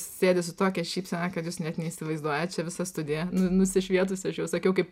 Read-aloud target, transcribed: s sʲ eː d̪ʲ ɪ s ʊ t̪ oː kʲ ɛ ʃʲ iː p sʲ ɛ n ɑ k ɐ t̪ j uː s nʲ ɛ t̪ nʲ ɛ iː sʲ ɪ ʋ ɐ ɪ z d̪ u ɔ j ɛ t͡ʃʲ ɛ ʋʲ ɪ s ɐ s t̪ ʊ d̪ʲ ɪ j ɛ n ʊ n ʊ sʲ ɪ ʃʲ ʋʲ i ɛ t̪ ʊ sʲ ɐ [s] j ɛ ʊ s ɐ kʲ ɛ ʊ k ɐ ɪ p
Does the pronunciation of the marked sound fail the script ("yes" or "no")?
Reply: yes